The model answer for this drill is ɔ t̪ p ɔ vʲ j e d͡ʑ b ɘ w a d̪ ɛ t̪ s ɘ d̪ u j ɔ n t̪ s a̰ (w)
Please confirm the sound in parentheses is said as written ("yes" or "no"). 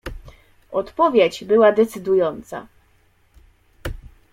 no